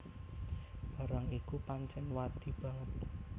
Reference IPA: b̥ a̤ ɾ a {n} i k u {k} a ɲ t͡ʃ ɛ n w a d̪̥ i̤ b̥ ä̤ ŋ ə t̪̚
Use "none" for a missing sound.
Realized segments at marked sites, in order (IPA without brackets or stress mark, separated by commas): ŋ, p